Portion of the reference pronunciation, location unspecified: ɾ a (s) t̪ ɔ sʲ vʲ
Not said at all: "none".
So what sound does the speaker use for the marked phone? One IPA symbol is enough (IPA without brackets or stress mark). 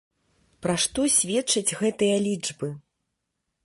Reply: ʂ